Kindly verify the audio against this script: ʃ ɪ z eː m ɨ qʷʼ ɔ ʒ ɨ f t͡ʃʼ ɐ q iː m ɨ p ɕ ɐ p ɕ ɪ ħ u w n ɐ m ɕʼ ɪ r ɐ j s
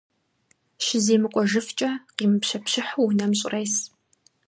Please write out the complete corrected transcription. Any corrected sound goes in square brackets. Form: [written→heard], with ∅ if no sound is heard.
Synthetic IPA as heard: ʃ ɪ z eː m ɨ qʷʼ ɔ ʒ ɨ f t͡ʃʼ ɐ q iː m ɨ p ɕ ɐ p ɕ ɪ ħ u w n ɐ m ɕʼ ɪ r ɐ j s